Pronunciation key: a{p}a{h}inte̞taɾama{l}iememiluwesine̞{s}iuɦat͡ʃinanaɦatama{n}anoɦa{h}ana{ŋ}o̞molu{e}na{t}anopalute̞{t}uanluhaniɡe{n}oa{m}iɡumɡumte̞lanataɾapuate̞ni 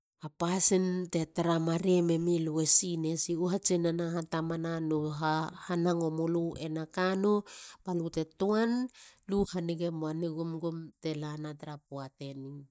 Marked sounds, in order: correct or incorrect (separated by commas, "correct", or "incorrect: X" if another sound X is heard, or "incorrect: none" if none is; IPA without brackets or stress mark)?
correct, incorrect: s, incorrect: ɾ, correct, correct, correct, correct, correct, incorrect: k, correct, incorrect: m, incorrect: n